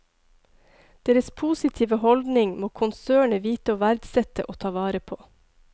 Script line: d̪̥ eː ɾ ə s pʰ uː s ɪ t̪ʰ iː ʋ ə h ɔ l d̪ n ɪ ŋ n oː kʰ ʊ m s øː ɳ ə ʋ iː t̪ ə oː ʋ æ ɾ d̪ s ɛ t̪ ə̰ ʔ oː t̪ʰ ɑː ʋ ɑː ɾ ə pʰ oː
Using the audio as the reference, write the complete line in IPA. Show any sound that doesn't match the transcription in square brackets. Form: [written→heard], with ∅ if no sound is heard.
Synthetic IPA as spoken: d̪̥ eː ɾ ə s pʰ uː s ɪ t̪ʰ iː ʋ ə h ɔ l d̪ n ɪ ŋ [n→m] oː kʰ ʊ [m→n] s øː ɳ ə ʋ iː t̪ ə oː ʋ æ ɾ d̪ s ɛ t̪ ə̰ ʔ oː t̪ʰ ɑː ʋ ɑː ɾ ə pʰ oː